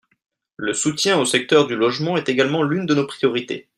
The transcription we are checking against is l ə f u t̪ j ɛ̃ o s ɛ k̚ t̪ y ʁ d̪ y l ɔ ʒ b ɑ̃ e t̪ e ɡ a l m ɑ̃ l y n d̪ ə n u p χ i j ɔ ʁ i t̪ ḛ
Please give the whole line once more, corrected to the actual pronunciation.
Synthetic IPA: l ə s u t̪ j ɛ̃ o s ɛ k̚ t̪ œ ʁ d̪ y l ɔ ʒ m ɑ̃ ɛ t̪ e ɡ a l m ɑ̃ l y n d̪ ə n o p χ i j ɔ ʁ i t̪ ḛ